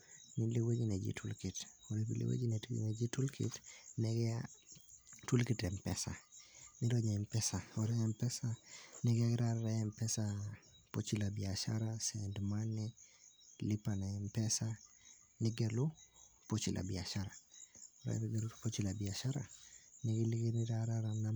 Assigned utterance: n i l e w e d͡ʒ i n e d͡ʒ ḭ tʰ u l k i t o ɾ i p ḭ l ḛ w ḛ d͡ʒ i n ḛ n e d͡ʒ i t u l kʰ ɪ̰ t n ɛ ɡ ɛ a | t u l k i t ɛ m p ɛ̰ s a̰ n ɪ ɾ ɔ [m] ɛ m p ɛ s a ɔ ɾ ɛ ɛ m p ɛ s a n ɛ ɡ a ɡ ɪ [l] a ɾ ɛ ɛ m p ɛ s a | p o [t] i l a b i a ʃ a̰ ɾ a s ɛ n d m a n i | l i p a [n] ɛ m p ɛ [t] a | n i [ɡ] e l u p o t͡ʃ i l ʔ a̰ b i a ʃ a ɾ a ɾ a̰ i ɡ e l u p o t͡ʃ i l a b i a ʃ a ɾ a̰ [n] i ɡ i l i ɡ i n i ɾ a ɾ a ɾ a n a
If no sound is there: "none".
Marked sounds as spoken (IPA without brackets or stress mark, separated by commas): ɲ, ɾ, t͡ʃ, n, s, ɡ, n